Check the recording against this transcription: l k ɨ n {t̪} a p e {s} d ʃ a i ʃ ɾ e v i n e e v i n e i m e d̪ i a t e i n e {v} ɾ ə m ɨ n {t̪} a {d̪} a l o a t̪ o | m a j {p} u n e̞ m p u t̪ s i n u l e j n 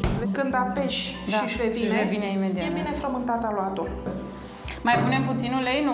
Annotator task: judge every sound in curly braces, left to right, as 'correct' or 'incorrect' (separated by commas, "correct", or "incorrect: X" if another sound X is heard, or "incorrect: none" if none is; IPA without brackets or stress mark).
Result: incorrect: d̪, incorrect: ʃ, incorrect: f, correct, incorrect: t̪, correct